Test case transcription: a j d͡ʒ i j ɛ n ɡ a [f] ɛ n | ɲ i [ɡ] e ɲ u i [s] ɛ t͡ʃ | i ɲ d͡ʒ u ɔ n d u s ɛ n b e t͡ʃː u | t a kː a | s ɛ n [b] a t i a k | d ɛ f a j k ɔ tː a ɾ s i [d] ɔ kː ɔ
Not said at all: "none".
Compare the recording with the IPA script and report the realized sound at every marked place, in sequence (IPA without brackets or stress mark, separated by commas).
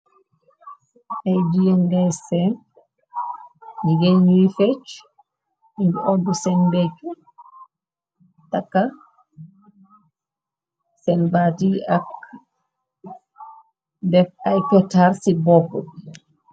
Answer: s, ɡ, f, b, b